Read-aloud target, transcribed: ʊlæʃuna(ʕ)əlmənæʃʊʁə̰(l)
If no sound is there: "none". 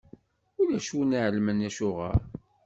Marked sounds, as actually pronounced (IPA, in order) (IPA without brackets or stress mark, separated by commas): ʕ, ɾ